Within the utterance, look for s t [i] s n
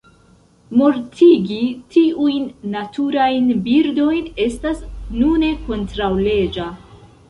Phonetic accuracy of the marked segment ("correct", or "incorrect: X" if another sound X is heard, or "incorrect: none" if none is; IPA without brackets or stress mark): incorrect: a